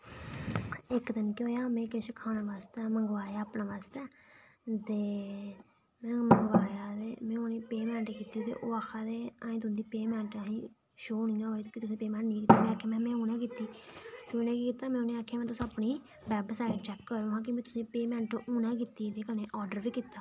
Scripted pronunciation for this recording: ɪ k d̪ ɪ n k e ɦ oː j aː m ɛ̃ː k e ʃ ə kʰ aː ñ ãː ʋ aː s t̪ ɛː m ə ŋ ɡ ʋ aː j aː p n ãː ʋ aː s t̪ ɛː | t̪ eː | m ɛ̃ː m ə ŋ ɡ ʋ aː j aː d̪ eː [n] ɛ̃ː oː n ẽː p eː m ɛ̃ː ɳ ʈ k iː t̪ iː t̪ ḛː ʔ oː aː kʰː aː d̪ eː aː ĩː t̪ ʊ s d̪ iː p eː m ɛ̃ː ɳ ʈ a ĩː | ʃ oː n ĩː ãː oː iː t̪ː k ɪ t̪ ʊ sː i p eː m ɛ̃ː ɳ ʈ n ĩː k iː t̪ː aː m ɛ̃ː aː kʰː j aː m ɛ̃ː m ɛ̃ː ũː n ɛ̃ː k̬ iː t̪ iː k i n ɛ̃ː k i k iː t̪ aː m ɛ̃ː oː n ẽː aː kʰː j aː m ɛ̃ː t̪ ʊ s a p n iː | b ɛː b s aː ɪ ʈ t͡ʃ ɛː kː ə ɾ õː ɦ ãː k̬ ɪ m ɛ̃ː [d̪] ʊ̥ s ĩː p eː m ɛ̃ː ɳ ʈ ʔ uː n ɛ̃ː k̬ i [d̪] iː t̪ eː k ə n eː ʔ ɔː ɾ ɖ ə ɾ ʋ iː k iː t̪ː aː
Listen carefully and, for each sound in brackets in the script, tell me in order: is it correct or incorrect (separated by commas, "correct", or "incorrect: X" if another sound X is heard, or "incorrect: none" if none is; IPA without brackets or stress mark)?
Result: incorrect: m, incorrect: t̪, incorrect: t̪